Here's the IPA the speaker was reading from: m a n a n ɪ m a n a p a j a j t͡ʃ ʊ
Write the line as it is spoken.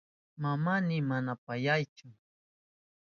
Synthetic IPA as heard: m a m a n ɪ m a n a p a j a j t͡ʃ ʊ